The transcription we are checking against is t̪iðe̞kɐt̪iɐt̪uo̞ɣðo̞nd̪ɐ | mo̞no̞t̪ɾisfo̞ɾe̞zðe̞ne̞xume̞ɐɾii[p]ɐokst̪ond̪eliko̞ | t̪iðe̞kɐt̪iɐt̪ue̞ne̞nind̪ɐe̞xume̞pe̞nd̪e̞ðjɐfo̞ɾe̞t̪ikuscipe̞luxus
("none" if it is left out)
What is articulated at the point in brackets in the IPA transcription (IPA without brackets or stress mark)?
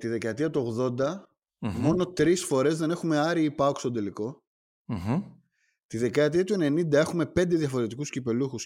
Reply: p